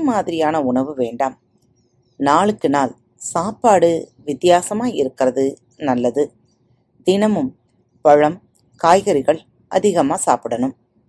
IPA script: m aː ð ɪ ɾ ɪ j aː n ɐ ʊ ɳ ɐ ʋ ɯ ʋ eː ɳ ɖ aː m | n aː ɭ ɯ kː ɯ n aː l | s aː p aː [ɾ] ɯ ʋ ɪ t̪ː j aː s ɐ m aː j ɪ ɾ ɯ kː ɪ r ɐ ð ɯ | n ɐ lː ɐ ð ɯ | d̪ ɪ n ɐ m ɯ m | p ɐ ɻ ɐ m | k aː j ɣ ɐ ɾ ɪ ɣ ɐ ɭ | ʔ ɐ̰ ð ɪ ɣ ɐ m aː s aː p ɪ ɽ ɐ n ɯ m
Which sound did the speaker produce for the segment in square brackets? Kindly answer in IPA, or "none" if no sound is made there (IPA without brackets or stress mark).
ɽ